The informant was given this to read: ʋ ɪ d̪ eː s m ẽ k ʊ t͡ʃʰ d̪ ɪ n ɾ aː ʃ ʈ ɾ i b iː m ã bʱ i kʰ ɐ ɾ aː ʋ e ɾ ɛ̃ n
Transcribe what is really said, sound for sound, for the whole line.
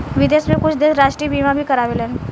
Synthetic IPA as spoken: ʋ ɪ d̪ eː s m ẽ k ʊ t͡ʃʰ d̪ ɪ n ɾ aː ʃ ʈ ɾ i b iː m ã bʱ i k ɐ ɾ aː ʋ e l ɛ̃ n

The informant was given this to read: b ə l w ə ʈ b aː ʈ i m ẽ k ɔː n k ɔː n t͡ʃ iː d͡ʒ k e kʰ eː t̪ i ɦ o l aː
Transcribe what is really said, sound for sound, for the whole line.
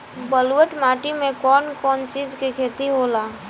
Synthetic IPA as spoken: b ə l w ə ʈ m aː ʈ i m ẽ k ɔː n k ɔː n t͡ʃ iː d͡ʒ k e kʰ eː t̪ i ɦ o l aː

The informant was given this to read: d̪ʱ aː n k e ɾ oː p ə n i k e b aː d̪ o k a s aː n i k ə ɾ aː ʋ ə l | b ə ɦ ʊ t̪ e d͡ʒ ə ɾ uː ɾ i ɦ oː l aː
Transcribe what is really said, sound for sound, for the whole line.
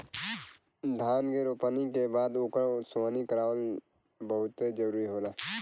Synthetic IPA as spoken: d̪ʱ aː n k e ɾ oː p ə n i k e b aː d̪ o k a s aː n i k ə ɾ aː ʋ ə l | b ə ɦ ʊ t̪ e d͡ʒ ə ɾ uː ɾ i ɦ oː l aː

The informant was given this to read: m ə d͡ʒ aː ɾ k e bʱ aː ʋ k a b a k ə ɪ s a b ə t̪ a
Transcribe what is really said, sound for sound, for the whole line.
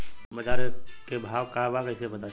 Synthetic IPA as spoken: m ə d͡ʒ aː ɾ k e bʱ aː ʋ k a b a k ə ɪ s e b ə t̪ a

